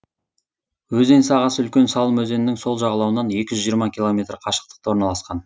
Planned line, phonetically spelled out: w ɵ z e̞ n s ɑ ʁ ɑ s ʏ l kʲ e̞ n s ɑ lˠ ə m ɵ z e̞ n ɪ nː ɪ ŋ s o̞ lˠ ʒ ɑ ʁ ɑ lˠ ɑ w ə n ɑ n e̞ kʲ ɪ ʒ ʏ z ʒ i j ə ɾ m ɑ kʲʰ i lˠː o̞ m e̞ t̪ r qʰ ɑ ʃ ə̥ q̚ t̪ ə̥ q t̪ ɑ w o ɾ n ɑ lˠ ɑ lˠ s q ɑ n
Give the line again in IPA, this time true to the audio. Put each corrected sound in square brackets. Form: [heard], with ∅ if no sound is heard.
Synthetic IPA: w ɵ z e̞ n s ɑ ʁ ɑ s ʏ l kʲ e̞ n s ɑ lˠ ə m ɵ z e̞ n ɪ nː ɪ ŋ s o̞ lˠ ʒ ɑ ʁ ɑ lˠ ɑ w ə n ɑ n e̞ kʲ ɪ ʒ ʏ z ʒ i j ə ɾ m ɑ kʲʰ i [lˠ] o̞ m e̞ t̪ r qʰ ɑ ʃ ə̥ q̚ t̪ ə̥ q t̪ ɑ w o ɾ n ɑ lˠ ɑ [∅] s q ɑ n

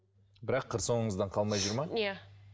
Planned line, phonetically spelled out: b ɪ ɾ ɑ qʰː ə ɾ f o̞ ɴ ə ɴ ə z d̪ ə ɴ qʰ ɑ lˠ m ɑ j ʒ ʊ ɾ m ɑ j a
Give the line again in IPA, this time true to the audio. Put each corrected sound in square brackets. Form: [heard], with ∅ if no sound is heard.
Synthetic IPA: b ɪ ɾ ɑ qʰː ə ɾ [s] o̞ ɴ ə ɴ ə z d̪ [ɑ] ɴ qʰ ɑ lˠ m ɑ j ʒ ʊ ɾ m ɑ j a

